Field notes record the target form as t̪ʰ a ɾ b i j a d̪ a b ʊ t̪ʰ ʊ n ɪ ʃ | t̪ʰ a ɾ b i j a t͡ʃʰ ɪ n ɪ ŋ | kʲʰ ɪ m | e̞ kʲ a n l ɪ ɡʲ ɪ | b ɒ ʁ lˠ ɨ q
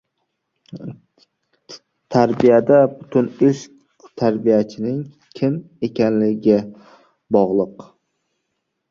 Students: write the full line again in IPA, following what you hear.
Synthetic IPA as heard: t̪ʰ a ɾ b i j a d̪ a b ʊ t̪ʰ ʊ n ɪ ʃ | t̪ʰ a ɾ b i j a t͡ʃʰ ɪ n ɪ ŋ | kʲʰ ɪ m | e̞ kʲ a n l ɪ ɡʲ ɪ | b ɒ ʁ lˠ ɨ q